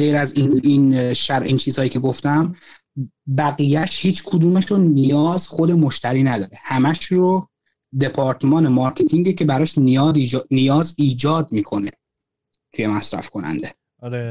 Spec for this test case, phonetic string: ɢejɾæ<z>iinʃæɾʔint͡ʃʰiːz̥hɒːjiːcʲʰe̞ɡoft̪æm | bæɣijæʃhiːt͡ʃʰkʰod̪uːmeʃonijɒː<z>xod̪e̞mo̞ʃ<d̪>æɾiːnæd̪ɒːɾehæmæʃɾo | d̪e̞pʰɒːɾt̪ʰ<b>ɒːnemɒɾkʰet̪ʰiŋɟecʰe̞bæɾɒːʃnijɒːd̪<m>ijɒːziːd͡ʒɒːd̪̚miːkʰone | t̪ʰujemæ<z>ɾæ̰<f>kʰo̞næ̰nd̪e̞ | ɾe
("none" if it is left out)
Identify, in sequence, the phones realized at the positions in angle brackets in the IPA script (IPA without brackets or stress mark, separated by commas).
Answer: z, z, t̪, m, n, s, f